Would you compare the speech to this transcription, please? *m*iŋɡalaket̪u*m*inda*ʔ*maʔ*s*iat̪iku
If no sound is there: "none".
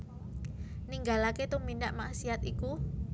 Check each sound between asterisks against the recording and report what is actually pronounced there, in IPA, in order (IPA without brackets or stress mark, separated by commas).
n, m, ʔ, s